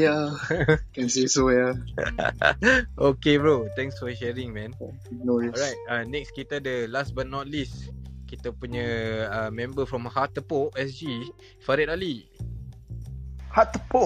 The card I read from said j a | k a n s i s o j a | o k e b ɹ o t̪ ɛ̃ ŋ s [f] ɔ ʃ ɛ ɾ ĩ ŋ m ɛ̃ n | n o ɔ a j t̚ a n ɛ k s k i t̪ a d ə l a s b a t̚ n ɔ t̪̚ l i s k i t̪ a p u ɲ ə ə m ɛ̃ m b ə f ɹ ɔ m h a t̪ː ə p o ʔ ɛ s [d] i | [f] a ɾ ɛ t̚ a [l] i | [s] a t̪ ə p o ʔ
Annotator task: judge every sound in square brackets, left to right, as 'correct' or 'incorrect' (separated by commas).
correct, incorrect, correct, correct, incorrect